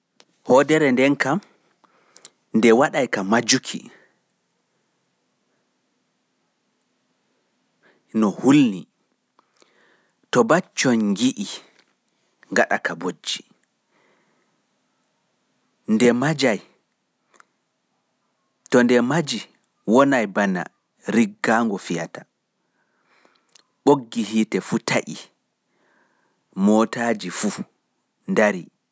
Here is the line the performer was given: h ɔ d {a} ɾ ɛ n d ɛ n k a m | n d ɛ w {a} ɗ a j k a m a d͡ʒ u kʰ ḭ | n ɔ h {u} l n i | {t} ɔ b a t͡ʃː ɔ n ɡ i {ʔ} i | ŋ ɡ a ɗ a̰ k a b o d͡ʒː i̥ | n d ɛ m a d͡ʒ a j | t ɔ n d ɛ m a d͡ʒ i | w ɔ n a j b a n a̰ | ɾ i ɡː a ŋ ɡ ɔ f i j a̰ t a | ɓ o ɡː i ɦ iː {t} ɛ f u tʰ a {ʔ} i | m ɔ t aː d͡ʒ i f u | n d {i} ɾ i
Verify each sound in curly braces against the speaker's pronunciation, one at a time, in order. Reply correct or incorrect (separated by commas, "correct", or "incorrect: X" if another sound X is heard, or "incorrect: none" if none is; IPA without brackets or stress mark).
incorrect: ɛ, correct, correct, correct, correct, correct, correct, incorrect: a